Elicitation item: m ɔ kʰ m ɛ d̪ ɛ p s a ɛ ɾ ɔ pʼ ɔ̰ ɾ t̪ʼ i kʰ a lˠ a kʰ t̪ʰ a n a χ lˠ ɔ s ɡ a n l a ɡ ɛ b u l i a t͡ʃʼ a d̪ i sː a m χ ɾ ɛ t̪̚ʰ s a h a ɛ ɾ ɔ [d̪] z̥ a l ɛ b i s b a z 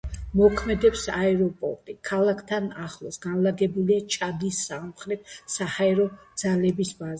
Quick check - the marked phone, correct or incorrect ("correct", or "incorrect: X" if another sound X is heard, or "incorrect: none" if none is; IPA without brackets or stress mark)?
correct